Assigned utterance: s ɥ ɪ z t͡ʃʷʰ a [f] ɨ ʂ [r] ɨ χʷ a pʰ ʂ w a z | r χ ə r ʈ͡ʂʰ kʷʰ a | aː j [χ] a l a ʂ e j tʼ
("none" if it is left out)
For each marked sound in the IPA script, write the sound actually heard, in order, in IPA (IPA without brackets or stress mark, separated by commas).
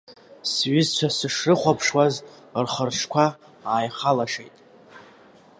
s, r, χ